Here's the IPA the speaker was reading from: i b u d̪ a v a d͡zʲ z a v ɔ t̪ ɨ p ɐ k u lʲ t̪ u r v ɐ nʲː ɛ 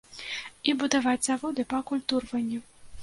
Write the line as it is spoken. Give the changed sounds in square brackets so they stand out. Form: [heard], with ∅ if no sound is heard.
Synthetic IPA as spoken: i b u d̪ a v a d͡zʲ z a v ɔ [d̪] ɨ p ɐ k u lʲ t̪ u r v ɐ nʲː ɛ